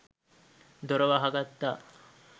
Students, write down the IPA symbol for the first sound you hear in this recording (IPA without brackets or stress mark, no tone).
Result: d̪